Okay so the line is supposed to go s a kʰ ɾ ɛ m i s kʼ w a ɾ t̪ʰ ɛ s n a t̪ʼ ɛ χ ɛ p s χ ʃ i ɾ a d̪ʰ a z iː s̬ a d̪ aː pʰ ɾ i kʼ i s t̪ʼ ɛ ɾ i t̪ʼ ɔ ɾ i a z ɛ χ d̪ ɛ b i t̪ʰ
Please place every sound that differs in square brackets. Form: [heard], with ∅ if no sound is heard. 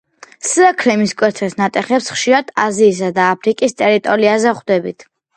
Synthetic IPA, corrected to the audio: s a kʰ ɾ ɛ m i s kʼ w [ɛ] ɾ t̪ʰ ɛ s n a t̪ʼ ɛ χ ɛ p s χ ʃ i ɾ a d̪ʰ a z iː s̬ a d̪ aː pʰ ɾ i kʼ i s t̪ʼ ɛ ɾ i t̪ʼ ɔ ɾ i a z ɛ χ d̪ ɛ b i t̪ʰ